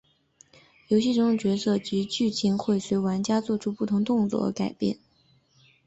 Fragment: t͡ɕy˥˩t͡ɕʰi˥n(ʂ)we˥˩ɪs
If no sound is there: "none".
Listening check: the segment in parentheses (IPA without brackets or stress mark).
x